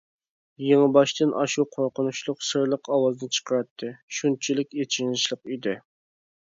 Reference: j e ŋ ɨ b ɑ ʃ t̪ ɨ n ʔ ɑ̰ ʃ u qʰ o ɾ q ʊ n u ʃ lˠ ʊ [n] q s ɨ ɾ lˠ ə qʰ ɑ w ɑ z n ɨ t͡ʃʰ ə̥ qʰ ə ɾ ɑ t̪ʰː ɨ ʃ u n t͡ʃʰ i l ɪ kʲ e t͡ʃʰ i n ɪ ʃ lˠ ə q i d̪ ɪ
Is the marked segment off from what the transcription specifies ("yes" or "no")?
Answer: yes